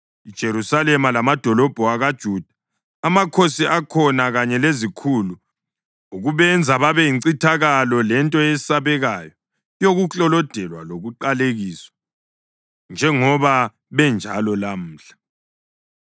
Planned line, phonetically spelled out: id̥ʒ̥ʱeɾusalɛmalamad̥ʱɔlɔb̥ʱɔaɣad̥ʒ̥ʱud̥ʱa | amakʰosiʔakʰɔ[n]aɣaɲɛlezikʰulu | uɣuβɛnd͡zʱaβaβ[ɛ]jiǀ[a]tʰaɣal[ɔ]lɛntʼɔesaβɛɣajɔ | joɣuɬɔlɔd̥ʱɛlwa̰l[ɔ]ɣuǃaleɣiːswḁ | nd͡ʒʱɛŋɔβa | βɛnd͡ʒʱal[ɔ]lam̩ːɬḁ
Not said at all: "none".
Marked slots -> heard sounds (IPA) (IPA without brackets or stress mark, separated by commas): n, ɛ, i, ɔ, o, ɔ